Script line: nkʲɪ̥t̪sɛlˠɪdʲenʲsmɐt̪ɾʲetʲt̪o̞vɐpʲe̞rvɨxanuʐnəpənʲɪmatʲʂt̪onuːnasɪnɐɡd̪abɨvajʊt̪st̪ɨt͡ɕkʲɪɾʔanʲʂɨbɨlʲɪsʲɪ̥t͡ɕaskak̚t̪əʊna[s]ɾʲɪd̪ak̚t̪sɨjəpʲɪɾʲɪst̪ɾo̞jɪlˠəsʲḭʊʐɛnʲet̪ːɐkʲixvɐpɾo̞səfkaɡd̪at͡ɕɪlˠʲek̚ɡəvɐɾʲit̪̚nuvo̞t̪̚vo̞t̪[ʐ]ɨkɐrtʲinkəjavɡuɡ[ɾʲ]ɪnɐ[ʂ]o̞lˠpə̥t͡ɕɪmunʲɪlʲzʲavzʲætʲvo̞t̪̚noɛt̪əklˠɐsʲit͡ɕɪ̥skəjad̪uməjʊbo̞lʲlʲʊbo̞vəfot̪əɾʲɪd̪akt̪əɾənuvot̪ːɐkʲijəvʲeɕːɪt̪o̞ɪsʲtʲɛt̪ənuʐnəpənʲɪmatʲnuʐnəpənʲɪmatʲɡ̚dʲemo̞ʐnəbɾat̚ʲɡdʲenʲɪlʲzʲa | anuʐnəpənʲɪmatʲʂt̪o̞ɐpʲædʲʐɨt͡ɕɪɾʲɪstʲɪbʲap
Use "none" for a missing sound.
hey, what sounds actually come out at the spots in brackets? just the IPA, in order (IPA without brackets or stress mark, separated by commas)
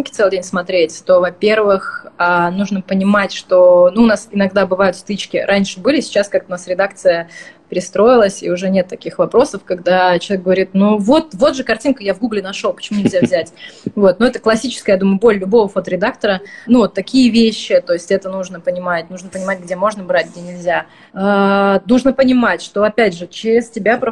s, ʐ, lʲ, ʂ